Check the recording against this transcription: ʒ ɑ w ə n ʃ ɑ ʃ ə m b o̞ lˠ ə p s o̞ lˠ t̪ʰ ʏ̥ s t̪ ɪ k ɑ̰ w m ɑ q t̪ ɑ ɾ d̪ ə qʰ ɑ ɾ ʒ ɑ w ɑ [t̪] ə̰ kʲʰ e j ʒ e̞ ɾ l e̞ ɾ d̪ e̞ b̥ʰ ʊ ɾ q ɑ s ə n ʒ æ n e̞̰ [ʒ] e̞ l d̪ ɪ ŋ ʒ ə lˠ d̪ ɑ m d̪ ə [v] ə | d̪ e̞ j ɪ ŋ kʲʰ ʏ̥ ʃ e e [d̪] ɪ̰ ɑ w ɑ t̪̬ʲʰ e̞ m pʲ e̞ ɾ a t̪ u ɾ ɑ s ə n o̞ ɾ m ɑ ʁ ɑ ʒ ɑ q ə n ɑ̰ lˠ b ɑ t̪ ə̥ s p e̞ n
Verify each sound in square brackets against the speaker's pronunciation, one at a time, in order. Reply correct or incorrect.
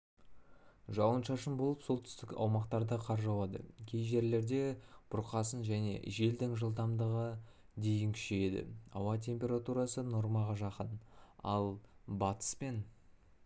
incorrect: d̪, correct, incorrect: ʁ, correct

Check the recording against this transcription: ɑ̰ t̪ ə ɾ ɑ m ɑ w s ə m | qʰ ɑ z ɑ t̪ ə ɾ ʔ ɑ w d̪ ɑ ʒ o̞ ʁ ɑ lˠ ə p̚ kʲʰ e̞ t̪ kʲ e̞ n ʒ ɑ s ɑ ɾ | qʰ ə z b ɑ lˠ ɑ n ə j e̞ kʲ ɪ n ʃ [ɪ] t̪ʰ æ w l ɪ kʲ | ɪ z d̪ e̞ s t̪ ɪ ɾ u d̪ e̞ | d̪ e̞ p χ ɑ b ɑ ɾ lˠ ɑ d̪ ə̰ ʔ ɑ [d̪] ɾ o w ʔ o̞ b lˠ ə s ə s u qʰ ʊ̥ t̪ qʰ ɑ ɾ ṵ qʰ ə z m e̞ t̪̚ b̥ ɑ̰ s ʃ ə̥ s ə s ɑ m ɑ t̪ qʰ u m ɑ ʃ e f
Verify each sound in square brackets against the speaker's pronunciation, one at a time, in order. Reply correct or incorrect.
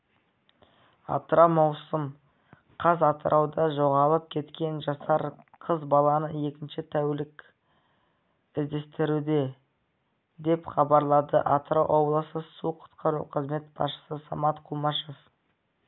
correct, incorrect: t̪

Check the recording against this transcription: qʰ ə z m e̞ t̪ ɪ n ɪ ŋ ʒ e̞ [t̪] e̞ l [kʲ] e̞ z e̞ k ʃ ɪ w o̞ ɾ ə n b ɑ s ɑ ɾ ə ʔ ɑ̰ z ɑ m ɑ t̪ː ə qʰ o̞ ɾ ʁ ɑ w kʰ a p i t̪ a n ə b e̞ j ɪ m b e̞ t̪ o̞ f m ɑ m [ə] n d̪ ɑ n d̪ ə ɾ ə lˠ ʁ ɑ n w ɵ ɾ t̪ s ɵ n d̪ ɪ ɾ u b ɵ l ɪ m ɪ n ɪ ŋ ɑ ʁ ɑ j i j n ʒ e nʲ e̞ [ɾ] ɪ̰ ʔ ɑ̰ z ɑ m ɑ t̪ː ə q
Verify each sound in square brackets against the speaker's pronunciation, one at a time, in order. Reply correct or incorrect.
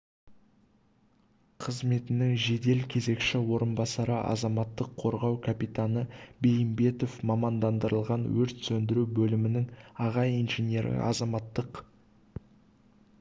incorrect: d̪, incorrect: kʲʰ, incorrect: ɑ, correct

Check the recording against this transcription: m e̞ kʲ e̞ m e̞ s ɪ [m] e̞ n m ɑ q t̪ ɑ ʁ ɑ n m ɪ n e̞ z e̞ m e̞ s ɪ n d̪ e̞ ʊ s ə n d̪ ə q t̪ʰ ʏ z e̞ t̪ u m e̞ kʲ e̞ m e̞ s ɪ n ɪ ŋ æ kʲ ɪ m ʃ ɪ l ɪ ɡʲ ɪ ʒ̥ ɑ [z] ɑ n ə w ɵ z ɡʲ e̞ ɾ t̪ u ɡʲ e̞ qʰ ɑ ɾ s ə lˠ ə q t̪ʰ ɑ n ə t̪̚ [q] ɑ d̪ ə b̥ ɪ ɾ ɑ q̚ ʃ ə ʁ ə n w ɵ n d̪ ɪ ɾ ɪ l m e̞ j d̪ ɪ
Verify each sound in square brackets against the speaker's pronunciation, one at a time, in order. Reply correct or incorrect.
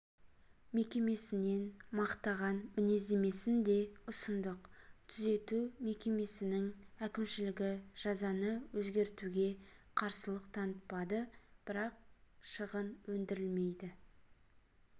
incorrect: n, correct, incorrect: p

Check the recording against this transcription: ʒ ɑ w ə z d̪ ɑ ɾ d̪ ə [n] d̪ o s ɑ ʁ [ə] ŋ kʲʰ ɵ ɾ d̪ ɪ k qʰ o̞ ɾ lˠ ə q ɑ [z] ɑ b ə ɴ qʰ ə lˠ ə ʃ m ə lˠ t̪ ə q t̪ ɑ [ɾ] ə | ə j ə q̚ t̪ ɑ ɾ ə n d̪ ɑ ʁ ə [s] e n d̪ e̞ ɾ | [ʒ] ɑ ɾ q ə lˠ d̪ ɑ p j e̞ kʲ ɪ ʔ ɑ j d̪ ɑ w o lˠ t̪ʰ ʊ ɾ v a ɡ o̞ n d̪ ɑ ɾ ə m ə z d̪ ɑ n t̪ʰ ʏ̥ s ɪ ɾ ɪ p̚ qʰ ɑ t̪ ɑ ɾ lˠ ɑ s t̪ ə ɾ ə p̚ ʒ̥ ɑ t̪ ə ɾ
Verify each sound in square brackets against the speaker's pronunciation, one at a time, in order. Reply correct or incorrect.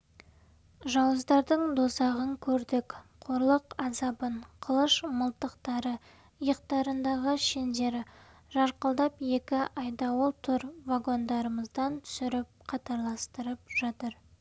incorrect: ɴ, correct, correct, correct, incorrect: ʃ, correct

